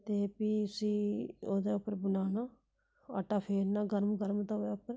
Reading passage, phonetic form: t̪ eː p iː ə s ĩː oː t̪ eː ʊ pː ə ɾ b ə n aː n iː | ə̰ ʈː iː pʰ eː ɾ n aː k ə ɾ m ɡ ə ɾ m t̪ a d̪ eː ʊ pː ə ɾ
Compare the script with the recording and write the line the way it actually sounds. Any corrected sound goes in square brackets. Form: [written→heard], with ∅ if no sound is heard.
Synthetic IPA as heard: t̪ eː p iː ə s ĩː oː [t̪→d̪] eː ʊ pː ə ɾ b ə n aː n [iː→aː] | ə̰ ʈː [iː→aː] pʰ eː ɾ n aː [k→ɡ] ə ɾ m ɡ ə ɾ m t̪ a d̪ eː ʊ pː ə ɾ